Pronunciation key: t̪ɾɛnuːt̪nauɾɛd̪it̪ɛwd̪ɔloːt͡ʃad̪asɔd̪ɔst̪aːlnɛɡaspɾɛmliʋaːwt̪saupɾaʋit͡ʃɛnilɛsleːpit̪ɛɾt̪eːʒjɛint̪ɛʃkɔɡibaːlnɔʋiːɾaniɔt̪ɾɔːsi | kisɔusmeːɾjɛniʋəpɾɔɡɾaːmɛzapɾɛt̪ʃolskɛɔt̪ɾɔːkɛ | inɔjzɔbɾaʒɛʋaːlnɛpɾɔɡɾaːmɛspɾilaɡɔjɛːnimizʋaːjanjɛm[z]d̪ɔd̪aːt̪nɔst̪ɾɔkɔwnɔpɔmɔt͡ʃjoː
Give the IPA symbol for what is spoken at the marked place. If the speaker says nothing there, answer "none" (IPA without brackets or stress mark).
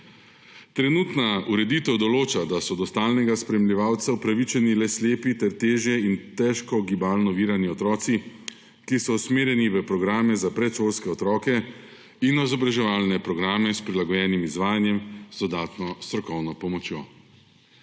z